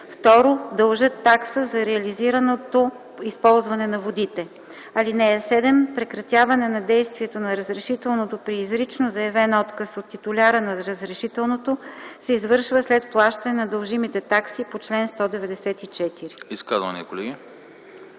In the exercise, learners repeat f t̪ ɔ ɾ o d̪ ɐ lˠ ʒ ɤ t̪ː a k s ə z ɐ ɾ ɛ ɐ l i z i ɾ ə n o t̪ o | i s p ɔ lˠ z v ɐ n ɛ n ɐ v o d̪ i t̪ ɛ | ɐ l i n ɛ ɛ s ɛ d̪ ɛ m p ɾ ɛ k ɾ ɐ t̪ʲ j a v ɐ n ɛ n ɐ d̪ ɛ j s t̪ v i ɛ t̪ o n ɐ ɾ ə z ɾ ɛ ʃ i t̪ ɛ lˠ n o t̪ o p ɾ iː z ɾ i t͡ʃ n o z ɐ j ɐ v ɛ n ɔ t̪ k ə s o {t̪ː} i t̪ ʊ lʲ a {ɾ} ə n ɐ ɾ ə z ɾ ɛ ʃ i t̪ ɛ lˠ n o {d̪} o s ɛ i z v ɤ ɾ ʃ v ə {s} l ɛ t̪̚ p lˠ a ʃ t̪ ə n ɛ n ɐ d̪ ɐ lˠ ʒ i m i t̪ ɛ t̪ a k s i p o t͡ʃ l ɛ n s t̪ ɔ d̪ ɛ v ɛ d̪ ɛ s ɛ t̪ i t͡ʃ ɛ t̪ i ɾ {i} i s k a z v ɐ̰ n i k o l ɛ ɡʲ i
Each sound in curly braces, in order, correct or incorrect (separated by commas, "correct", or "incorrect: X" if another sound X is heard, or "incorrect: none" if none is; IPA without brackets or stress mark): correct, correct, incorrect: t̪, correct, correct